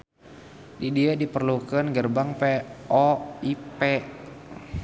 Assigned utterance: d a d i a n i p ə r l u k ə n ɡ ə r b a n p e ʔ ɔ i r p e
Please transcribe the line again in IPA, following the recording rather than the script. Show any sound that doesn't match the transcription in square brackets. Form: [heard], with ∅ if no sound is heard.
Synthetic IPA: d [i] d i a [d] i p ə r l u k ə n ɡ ə r b a [ŋ] p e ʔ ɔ i [∅] p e